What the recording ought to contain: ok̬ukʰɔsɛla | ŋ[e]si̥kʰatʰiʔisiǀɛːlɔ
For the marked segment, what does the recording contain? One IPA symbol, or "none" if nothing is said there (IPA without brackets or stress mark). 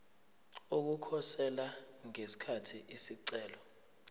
e